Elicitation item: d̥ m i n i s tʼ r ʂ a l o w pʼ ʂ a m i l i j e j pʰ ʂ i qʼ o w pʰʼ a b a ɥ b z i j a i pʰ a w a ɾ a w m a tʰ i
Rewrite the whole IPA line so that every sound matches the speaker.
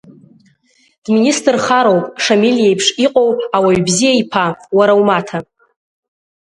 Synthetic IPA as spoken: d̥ m i n i s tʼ r χ a ɾ o w pʼ ʂ a m i l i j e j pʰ ʂ i qʼ o w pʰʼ a w a ɥ b z i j a i pʰ a w a ɾ a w m a tʰ a

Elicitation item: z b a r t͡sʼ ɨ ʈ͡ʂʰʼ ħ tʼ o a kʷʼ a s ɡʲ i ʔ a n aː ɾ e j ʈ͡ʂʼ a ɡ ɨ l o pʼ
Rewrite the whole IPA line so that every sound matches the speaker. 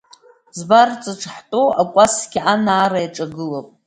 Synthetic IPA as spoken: z b a r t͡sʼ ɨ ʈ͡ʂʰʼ ħ tʼ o a kʷʼ a s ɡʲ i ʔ a n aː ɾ a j ʈ͡ʂʼ a ɡ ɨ l o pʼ

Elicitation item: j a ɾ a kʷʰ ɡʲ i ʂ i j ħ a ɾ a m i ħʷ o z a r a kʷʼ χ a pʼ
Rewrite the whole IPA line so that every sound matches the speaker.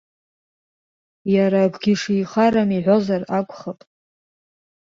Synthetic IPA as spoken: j a ɾ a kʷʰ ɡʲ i ʂ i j χ a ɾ a m i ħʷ o z a r a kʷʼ χ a pʼ

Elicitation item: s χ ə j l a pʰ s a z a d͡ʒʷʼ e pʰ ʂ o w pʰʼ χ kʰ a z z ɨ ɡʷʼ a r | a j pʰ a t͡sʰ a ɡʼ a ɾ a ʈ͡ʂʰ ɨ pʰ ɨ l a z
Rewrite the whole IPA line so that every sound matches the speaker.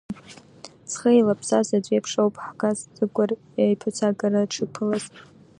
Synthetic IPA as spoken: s χ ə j l a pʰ s a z a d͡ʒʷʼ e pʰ ʂ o w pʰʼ ħ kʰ a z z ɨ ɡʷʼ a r | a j pʰ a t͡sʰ a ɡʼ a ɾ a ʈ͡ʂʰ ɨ pʰ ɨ l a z

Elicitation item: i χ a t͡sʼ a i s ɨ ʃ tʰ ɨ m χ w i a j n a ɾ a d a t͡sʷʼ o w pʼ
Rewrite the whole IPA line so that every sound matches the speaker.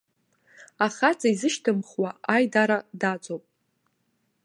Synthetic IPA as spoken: a χ a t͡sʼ a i z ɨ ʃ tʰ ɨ m χ w a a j d a ɾ a d a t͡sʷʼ o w pʼ

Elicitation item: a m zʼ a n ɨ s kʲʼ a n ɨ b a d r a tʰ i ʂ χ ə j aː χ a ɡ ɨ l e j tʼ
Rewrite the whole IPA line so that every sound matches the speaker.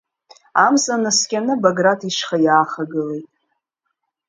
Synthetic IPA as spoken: a m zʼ a n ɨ s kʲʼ a n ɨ b a ɡ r a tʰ i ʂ χ a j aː χ a ɡ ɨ l e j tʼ

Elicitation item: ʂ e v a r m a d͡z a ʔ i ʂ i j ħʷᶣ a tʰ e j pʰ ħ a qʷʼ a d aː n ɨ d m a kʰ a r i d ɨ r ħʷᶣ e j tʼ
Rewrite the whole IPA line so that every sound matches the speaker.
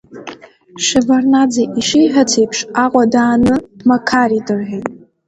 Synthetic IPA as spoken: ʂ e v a r n a d͡z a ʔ i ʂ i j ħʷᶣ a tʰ e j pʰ ʂ a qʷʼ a d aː n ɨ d m a kʰ a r i d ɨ r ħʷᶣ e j tʼ

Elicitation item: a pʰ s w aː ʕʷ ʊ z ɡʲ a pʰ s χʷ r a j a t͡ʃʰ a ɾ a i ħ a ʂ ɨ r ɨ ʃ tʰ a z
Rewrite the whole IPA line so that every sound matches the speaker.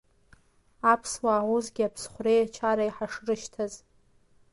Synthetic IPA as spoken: a pʰ s w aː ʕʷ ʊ z ɡʲ a pʰ s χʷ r e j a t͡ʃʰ a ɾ a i ħ a ʂ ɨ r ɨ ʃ tʰ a z

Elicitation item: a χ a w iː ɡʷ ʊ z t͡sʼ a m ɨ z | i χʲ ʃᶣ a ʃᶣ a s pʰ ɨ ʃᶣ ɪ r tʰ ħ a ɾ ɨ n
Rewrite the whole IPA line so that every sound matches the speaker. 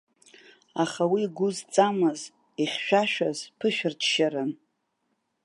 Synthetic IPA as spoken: a χ a w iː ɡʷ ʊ z t͡sʼ a m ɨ z | i χʲ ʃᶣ a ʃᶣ a z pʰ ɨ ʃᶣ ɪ r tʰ ʃ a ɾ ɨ n

